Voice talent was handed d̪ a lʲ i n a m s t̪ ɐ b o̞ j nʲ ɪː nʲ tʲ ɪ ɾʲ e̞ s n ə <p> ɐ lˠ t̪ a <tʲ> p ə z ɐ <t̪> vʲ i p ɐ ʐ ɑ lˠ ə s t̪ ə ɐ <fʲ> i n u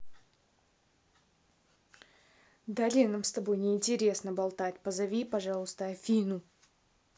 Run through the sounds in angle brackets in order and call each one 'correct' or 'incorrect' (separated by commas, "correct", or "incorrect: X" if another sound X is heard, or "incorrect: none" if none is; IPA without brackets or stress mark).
incorrect: b, correct, incorrect: none, correct